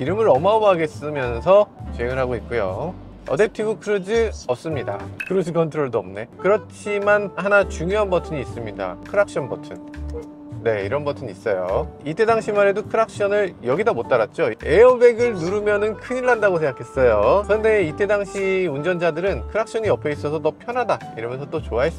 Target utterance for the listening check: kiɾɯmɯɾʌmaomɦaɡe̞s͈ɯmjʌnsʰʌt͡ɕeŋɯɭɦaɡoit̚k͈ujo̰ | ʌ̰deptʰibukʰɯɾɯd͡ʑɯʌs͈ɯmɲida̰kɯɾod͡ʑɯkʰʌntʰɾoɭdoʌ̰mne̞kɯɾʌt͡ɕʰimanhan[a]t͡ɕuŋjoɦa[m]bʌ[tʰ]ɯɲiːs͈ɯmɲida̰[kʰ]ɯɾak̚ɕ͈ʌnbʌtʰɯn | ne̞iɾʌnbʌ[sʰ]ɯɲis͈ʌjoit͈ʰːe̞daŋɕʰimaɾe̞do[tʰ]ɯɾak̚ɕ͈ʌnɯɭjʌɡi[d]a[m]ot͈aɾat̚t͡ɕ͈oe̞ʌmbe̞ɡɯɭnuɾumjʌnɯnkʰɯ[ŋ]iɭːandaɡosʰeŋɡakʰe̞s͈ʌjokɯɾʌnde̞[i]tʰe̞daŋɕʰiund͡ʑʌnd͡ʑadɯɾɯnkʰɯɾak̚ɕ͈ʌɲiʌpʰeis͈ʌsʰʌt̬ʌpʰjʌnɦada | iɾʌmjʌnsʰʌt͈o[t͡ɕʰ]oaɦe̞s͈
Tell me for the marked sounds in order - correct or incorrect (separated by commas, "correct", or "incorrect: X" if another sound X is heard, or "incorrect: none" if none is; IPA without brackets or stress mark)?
correct, incorrect: n, correct, correct, incorrect: tʰ, incorrect: kʰ, correct, correct, incorrect: ɲ, correct, incorrect: t͡ɕ